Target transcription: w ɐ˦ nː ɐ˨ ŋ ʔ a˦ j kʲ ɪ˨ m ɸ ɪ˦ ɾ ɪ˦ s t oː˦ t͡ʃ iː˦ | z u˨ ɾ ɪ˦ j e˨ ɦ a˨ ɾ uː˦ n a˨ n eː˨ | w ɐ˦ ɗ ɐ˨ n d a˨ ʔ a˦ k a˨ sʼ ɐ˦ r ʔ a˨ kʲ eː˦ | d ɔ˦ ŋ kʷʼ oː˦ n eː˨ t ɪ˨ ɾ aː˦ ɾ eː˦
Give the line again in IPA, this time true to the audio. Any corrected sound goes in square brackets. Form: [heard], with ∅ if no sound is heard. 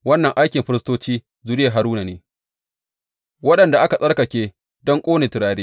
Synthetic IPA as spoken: w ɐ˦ nː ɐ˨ ŋ ʔ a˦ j kʲ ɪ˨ m ɸ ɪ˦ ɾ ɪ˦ s t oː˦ t͡ʃ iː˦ | z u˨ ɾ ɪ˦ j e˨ ɦ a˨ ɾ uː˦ n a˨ n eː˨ | w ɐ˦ ɗ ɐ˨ n d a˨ ʔ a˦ k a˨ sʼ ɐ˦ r [k] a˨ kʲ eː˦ | d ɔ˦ ŋ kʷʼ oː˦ n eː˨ t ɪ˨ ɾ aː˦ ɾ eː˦